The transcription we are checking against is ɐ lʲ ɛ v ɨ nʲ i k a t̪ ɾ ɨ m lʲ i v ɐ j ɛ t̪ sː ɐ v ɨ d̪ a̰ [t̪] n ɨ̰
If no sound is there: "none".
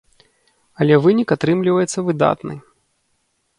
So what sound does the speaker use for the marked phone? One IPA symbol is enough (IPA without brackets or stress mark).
t̪